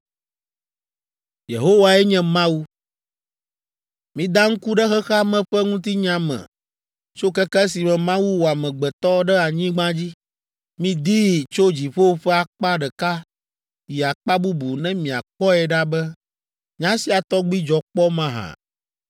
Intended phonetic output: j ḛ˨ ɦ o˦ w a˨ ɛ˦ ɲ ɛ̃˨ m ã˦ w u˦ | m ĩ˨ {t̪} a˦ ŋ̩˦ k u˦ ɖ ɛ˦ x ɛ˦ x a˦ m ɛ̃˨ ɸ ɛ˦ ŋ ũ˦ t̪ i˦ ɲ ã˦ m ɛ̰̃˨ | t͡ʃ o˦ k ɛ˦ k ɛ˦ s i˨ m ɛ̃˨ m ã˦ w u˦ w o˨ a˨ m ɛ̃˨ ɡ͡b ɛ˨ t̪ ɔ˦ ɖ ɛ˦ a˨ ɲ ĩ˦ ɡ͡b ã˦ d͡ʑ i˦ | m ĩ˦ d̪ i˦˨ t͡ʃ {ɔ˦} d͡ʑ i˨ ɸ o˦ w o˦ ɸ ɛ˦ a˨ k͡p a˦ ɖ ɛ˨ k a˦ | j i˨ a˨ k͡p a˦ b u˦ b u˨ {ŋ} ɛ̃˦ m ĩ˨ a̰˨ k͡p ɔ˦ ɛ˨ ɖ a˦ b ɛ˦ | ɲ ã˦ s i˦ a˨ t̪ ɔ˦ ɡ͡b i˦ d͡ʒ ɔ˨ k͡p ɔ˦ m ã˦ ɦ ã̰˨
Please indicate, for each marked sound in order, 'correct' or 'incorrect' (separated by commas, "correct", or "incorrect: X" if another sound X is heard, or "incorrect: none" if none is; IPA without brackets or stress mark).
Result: incorrect: d̪, incorrect: o˦, incorrect: n